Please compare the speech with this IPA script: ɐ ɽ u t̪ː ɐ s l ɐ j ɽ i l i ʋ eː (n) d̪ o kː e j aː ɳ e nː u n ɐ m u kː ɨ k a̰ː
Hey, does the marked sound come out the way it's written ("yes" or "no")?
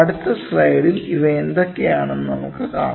yes